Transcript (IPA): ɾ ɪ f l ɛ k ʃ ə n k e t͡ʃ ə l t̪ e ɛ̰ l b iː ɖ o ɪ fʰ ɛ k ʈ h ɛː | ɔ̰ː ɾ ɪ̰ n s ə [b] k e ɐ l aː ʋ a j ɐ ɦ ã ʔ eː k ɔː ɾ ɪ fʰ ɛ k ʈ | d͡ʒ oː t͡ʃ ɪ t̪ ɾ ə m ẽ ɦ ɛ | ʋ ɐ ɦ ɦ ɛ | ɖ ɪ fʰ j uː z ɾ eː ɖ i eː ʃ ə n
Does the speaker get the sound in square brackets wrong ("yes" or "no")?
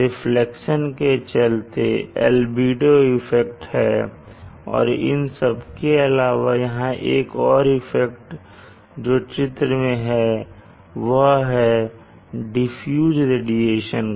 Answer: no